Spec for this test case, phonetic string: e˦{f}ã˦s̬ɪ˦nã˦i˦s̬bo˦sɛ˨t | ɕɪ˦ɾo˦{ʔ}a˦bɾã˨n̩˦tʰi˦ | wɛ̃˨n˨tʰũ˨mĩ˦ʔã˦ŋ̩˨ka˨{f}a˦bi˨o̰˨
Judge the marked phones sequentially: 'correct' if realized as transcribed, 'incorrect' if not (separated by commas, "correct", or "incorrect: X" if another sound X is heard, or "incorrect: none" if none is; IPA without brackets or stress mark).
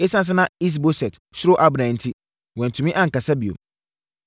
incorrect: s, correct, incorrect: s